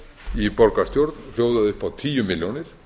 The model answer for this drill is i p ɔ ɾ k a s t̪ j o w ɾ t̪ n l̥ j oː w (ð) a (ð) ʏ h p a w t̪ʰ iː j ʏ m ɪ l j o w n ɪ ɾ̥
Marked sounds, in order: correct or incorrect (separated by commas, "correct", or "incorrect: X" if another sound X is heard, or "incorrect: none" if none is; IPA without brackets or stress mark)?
correct, correct